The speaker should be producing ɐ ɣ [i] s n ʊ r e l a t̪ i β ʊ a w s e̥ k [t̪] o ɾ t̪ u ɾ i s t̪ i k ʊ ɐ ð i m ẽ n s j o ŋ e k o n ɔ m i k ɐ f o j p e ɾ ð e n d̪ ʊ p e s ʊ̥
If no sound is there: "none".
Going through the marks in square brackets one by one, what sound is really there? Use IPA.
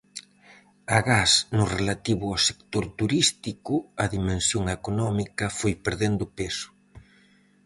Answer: a, t̪

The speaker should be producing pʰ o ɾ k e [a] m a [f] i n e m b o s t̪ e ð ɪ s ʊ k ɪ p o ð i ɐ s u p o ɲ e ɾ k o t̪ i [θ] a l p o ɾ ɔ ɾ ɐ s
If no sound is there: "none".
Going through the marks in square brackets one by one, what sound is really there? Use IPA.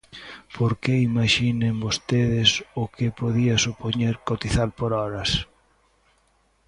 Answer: i, ʃ, θ

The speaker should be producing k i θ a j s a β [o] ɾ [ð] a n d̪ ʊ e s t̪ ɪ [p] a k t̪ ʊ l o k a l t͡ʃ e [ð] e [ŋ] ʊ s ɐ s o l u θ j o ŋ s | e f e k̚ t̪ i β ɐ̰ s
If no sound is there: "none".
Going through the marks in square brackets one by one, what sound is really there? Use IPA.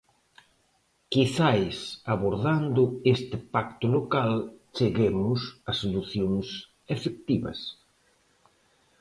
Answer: o, ð, p, ɣ, m

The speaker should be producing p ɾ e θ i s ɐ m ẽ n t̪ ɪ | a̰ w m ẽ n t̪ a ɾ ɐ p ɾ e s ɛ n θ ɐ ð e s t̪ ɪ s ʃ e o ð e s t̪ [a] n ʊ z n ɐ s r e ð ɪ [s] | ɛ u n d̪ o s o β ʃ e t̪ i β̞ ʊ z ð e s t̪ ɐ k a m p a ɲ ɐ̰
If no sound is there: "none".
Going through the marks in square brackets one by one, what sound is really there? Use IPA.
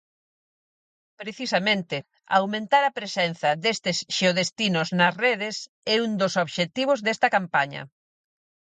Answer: i, s

